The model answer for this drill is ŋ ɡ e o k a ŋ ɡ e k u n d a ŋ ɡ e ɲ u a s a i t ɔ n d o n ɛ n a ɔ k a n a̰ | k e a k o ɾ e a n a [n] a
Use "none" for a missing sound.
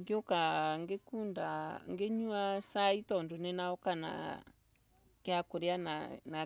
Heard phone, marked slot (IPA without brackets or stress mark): n